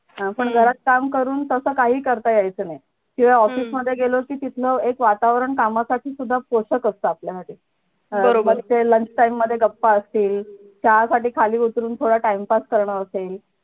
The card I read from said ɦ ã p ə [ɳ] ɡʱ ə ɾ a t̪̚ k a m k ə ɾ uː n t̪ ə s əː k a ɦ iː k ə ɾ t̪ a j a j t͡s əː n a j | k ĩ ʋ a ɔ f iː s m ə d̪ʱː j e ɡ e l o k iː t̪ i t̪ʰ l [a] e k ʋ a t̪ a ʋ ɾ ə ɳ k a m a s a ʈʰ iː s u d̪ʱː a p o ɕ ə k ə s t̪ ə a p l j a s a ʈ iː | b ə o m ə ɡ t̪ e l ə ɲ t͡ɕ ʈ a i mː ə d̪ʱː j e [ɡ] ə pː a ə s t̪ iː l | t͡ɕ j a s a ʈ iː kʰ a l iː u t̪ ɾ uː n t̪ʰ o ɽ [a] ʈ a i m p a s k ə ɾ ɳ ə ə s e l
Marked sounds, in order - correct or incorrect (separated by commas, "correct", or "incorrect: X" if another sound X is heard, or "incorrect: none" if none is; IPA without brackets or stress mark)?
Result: correct, incorrect: ə, correct, correct